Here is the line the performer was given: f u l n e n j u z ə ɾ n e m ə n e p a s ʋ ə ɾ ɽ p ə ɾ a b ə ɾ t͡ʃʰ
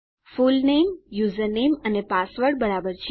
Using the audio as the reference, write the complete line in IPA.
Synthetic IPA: f u l n e m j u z ə ɾ n e m ə n e p a s ʋ ə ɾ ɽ b ə ɾ a b ə ɾ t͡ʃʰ